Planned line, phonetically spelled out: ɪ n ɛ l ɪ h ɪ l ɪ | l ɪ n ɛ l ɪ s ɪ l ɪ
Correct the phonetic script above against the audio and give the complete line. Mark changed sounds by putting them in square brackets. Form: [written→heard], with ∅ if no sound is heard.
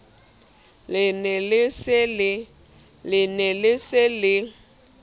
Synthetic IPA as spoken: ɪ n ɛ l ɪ [h→s] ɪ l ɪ | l ɪ n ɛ l ɪ s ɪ l ɪ